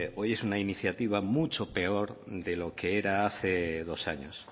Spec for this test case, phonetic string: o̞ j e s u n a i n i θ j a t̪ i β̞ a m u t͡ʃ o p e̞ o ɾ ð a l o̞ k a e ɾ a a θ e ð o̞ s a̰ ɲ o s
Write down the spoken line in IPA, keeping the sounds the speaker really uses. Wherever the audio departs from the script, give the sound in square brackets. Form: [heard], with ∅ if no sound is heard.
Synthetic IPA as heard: o̞ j e s u n a i n i θ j a t̪ i β̞ a m u t͡ʃ o p e̞ o ɾ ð [e] l o̞ k [e] e ɾ a a θ e ð o̞ s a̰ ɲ o s